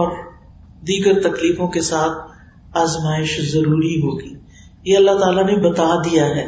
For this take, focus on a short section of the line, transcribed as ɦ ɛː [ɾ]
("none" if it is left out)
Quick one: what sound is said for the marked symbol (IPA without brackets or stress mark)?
none